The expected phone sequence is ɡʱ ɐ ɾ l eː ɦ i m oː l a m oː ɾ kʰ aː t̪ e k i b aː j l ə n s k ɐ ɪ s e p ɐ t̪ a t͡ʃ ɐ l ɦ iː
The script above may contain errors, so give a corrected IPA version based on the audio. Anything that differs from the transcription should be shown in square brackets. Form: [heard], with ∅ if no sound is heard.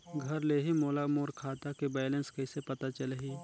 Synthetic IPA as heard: ɡʱ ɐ ɾ l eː ɦ i m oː l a m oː ɾ kʰ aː t̪ [a] k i b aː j l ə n s k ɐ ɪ s e p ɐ t̪ a t͡ʃ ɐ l ɦ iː